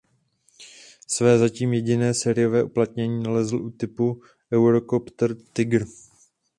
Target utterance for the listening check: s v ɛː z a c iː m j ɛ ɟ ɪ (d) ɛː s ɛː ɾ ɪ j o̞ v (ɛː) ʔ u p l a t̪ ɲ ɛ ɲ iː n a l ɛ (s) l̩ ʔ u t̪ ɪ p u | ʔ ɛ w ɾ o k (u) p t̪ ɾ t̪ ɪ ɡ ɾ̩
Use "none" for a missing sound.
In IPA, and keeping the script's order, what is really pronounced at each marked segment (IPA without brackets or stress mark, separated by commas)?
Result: n, ɛː, z, o